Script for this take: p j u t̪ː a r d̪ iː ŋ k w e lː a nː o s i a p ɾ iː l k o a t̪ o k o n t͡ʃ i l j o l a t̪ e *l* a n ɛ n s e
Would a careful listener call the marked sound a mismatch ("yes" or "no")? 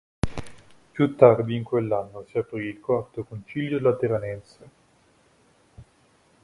yes